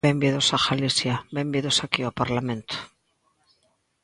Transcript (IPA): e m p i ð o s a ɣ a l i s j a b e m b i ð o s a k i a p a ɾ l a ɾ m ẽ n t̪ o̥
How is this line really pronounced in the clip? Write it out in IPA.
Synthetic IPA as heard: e m b i ð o s a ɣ a l i s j a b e m b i ð o s a k i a p a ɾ l a m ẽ n t̪ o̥

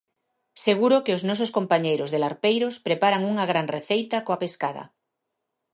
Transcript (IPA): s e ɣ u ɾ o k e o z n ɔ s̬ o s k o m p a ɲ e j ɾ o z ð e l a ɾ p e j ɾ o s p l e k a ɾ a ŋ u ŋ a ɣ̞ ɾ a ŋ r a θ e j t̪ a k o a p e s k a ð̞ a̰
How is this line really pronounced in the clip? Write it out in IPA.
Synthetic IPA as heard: s e ɣ u ɾ o k e o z n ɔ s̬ o s k o m p a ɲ e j ɾ o z ð e l a ɾ p e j ɾ o s p ɾ e p a ɾ a ŋ u ŋ a ɣ̞ ɾ a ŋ r e θ e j t̪ a k o a p e s k a ð̞ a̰

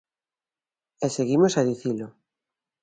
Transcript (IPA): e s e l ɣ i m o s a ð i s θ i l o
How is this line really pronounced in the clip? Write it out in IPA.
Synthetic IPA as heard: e s e ɣ i m o s a ð i θ i l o

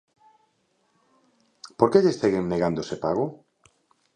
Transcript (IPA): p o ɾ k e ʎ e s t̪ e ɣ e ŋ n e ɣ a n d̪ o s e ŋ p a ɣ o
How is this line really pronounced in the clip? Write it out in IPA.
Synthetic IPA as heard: p o ɾ k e ʎ e s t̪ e ɣ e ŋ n e ɣ a n d̪ o s e p a ɣ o

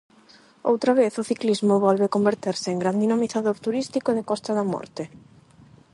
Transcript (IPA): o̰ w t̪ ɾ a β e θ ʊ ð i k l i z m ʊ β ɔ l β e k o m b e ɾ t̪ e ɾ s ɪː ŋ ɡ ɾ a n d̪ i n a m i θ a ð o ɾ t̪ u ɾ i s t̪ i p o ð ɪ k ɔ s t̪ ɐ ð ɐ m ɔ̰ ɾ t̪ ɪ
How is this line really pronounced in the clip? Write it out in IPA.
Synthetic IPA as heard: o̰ w t̪ ɾ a β e θ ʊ θ i k l i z m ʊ β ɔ l β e k o m b e ɾ t̪ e ɾ s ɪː ŋ ɡ ɾ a n d̪ i n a m i θ a ð o ɾ t̪ u ɾ i s t̪ i k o ð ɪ k ɔ s t̪ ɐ ð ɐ m ɔ̰ ɾ t̪ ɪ

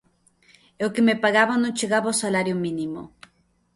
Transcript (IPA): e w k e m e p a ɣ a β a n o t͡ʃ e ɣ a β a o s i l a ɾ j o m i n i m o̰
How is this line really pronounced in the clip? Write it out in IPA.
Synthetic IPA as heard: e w k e m e p a ɣ a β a n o t͡ʃ e ɣ a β a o s a l a ɾ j o m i n i m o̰

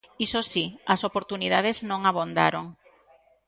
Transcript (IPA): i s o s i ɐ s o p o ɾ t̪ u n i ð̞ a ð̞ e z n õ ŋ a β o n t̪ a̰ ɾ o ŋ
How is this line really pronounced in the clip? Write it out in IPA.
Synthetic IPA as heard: i s o s i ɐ s o p o ɾ t̪ u n i ð̞ a ð̞ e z n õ ŋ a β o n d̪ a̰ ɾ o ŋ

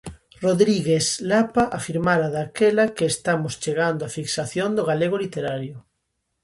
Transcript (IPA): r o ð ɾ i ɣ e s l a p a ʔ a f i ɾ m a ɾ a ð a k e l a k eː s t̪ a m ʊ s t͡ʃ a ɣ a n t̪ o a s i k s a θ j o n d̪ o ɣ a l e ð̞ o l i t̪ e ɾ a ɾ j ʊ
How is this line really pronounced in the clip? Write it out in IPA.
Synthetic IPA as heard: r o ð ɾ i ɣ e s l a p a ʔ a f i ɾ m a ɾ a ð a k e l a k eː s t̪ a m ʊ s t͡ʃ e ɣ a n d̪ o a f i k s a θ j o n d̪ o ɣ a l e ɣ̞ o l i t̪ e ɾ a ɾ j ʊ

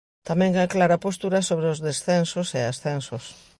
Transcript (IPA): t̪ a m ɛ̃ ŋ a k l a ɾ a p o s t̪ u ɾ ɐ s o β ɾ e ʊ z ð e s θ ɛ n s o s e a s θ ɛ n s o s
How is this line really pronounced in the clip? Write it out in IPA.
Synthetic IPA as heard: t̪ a m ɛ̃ ŋ a k l a ɾ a p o s t̪ u ɾ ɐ s o β ɾ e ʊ z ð e s θ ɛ n s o s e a s θ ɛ n s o s

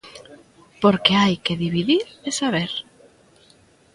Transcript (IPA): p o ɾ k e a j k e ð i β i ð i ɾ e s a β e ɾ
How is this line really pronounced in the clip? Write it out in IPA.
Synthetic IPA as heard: p o ɾ k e a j k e ð i β i ð i ɾ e s a β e ɾ

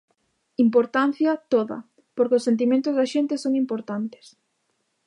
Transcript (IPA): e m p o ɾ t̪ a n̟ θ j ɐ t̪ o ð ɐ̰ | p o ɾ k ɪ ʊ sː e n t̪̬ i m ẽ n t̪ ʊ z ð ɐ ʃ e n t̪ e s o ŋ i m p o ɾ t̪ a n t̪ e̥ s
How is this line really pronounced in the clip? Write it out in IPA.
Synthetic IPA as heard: i m p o ɾ t̪ a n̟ θ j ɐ t̪ o ð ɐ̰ | p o ɾ k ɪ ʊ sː e n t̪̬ i m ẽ n t̪ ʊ z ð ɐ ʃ e n t̪ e s o ŋ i m p o ɾ t̪ a n t̪ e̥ s

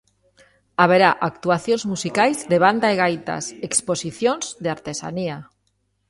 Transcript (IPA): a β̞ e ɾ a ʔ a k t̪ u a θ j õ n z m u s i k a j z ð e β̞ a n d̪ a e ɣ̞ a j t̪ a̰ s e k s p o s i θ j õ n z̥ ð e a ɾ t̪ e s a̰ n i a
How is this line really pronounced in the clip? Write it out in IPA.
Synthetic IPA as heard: a β̞ e ɾ a ʔ a k t̪ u a θ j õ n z m u s i k a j z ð e β̞ a n d̪ a e ɣ̞ a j t̪ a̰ s e k s p o s i θ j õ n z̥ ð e a ɾ t̪ e s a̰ n i a

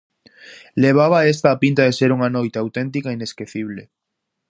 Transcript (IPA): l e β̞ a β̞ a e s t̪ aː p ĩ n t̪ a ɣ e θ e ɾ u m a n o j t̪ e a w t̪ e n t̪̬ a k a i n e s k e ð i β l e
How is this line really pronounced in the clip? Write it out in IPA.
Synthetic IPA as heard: l e β̞ a β̞ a e s t̪ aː p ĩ n t̪ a ð e s e ɾ u ŋ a n o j t̪ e a w t̪ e n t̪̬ i k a i n e s k e θ i β l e

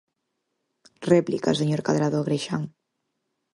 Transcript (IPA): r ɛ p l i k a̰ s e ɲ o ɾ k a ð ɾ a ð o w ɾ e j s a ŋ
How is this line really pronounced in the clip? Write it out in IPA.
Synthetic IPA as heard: r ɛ p l i k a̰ s e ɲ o ɾ k a ð ɾ a ð o ɣ ɾ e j ʃ a ŋ

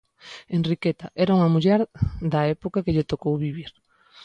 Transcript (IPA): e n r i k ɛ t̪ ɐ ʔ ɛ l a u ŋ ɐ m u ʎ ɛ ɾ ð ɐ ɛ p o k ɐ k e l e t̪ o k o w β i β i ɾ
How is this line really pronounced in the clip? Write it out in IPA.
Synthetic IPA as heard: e n r i k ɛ t̪ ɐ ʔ ɛ ɾ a u ŋ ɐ m u ʎ ɛ ɾ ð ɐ ɛ p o k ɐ k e ʎ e t̪ o k o w β i β i ɾ

